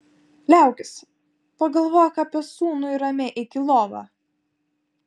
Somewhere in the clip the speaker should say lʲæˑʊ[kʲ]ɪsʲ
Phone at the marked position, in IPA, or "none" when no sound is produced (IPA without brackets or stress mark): kʲ